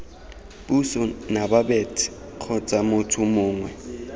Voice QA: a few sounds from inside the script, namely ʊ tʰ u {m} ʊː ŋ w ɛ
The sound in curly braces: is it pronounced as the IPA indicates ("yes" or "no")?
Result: yes